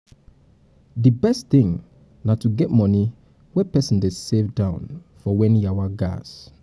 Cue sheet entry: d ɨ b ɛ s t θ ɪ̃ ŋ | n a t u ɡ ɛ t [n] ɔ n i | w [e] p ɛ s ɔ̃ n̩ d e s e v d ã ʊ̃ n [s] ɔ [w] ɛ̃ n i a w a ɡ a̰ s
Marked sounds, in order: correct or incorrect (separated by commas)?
incorrect, incorrect, incorrect, correct